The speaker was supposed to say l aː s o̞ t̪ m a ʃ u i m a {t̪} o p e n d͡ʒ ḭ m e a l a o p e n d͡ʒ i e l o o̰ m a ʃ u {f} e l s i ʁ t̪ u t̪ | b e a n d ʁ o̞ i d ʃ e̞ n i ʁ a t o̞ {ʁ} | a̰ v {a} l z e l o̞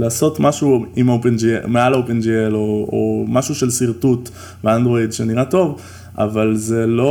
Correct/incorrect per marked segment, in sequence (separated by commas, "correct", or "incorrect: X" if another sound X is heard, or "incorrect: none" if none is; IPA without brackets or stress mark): incorrect: none, incorrect: ʃ, incorrect: v, correct